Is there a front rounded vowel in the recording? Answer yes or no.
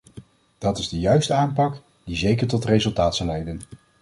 yes